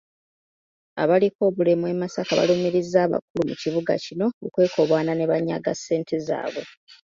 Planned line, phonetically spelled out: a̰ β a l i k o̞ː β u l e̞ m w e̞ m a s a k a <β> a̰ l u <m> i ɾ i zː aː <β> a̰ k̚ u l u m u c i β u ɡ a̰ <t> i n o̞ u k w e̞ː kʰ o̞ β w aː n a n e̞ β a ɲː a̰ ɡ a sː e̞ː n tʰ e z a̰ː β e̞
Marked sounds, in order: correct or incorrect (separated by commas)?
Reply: correct, correct, correct, incorrect